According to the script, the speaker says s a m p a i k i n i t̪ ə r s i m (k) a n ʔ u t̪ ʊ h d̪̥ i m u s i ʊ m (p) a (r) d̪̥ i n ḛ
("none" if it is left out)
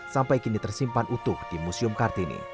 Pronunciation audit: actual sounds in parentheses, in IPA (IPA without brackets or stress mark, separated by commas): p, k, r